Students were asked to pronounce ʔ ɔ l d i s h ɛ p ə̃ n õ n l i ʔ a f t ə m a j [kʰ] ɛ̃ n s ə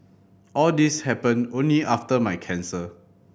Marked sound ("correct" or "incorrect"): correct